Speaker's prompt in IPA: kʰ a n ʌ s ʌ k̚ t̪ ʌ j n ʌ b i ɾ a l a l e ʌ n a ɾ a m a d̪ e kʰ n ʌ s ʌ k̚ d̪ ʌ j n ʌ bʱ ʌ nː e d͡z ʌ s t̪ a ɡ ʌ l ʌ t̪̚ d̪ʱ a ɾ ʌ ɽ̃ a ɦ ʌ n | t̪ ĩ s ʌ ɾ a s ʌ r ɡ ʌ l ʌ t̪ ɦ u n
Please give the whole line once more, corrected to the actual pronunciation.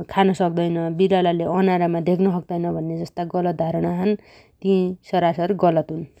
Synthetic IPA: kʰ a n ʌ s ʌ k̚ d̪ ʌ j n ʌ b i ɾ a l a l e ʌ n a ɾ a m a d̪ e kʰ n ʌ s ʌ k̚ d̪ ʌ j n ʌ bʱ ʌ nː e d͡z ʌ s t̪ a ɡ ʌ l ʌ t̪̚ d̪ʱ a ɾ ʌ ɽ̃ a ɦ ʌ n | t̪ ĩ s ʌ ɾ a s ʌ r ɡ ʌ l ʌ t̪ ɦ u n